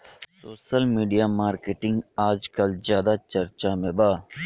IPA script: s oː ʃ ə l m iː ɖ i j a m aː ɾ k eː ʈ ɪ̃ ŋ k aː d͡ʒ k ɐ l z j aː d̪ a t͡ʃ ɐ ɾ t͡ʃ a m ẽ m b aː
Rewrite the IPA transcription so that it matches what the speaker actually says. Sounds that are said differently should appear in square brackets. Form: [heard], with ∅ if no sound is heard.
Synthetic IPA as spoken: s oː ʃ ə l m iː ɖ i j a m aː ɾ k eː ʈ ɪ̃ ŋ [ɡ] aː d͡ʒ k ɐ l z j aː d̪ a t͡ʃ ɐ ɾ t͡ʃ a m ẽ [∅] b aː